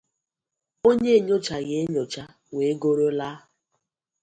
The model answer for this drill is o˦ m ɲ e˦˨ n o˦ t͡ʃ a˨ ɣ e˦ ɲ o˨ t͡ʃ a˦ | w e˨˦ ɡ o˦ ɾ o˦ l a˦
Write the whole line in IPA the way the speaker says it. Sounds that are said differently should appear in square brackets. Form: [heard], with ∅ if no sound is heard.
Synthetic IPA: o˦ [ɲ] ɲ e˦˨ [ɲ] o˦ t͡ʃ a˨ ɣ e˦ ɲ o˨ t͡ʃ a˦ | w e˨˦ ɡ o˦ ɾ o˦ l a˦